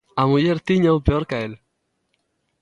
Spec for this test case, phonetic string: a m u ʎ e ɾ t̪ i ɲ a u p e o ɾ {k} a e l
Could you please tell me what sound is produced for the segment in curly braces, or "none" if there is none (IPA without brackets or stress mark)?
k